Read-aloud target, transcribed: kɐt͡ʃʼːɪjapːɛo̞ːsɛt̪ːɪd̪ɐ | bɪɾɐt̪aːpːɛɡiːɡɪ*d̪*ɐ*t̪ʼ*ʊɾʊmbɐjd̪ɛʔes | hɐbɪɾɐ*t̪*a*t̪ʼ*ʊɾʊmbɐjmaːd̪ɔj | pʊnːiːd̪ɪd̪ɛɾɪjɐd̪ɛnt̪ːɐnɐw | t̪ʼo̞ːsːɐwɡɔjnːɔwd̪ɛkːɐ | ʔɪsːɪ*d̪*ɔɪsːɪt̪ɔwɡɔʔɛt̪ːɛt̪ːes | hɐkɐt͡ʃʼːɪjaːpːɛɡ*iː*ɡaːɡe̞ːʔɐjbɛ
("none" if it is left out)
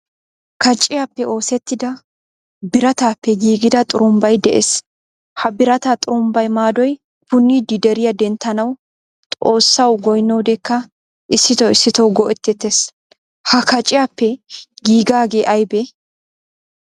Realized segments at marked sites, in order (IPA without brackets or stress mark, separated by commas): d̪, t̪ʼ, t̪, t̪ʼ, t̪, iː